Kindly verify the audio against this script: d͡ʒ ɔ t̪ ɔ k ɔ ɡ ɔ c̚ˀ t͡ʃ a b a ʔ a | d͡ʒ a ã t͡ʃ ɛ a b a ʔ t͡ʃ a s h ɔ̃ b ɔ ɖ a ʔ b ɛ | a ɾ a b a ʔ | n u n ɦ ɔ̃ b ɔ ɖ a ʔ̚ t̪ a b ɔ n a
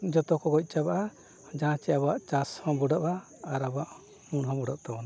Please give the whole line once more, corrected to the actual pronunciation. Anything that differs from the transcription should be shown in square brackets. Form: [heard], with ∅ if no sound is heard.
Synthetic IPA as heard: d͡ʒ ɔ t̪ ɔ k ɔ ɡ ɔ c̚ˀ t͡ʃ a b a ʔ a | d͡ʒ a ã t͡ʃ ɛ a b a ʔ t͡ʃ a s h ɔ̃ b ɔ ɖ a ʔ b [a] | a ɾ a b a ʔ | [m] u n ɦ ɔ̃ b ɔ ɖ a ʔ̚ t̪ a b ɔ n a